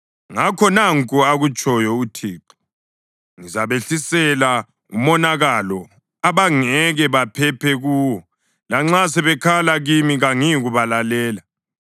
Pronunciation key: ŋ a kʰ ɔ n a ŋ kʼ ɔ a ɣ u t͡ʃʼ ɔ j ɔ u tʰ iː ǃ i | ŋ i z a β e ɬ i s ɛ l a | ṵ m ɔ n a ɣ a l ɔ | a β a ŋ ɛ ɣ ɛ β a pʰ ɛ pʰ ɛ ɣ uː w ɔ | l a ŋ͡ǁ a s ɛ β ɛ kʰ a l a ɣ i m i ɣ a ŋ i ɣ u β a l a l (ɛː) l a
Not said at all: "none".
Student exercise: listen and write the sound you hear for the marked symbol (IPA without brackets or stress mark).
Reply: ɛː